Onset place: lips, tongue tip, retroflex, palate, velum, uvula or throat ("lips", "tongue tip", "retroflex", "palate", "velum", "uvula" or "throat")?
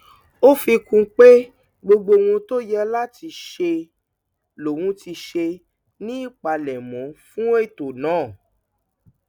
lips